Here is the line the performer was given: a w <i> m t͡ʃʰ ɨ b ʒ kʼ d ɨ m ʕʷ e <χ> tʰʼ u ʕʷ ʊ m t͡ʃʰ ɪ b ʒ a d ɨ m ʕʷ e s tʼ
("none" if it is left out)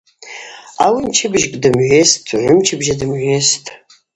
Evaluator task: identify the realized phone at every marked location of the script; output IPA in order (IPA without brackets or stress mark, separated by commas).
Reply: i, s